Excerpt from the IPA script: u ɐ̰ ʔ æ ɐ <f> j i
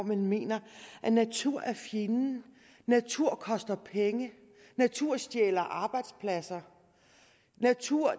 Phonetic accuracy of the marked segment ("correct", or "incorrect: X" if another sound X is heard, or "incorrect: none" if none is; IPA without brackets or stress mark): correct